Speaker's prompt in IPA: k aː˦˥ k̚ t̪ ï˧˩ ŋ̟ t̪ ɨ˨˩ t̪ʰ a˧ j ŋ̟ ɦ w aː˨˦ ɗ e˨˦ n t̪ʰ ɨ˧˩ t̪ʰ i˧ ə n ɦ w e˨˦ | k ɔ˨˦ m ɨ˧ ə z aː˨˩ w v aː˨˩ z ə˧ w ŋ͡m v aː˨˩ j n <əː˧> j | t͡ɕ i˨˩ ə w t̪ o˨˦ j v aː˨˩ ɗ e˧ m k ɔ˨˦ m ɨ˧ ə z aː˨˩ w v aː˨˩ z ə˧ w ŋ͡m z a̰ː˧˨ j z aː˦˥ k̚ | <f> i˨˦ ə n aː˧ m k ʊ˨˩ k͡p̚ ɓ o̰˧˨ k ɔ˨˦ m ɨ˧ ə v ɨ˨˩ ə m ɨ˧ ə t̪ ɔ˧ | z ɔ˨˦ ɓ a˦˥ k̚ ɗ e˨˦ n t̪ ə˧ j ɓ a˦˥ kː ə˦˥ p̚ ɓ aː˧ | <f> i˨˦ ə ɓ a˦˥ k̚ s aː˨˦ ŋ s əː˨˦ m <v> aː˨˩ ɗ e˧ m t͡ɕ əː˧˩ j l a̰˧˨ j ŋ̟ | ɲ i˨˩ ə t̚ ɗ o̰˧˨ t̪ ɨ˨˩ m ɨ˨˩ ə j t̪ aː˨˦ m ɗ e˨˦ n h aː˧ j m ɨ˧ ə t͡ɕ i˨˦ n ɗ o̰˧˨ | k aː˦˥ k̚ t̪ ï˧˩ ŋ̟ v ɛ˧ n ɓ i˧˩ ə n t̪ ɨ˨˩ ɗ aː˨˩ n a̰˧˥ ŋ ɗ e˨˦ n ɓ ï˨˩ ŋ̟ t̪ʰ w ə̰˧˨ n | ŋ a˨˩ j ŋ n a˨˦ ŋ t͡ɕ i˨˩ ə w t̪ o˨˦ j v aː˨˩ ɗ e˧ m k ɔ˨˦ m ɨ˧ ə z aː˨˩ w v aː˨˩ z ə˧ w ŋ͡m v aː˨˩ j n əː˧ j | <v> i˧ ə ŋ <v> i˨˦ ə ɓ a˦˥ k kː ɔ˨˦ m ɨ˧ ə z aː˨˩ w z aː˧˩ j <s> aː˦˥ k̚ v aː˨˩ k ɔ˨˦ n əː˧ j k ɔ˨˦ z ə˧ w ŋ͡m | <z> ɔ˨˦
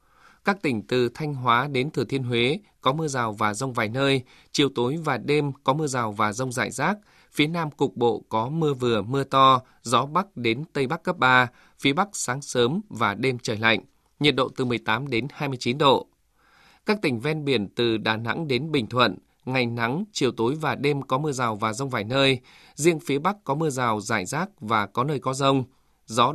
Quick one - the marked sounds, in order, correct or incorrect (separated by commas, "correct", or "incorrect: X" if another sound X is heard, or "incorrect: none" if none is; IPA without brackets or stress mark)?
correct, correct, correct, correct, incorrect: z, incorrect: f, incorrect: z, correct